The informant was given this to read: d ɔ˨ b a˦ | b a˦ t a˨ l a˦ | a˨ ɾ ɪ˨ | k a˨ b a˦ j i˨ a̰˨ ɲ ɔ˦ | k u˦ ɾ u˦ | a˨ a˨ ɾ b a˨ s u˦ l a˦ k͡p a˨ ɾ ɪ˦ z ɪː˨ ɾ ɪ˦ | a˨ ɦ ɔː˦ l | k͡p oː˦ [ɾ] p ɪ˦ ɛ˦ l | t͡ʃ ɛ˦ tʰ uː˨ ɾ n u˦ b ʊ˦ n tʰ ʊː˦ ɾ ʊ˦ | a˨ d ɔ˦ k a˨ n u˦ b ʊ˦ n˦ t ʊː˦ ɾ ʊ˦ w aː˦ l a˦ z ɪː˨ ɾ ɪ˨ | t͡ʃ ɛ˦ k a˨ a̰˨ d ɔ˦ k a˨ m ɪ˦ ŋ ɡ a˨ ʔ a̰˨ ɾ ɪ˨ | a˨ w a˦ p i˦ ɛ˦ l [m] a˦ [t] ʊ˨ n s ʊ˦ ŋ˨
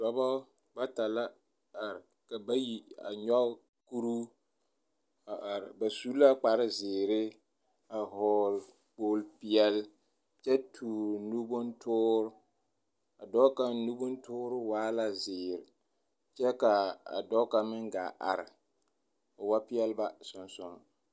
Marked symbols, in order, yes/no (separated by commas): no, no, no